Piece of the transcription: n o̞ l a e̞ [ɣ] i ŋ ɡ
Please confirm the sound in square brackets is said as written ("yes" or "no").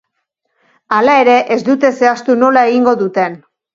yes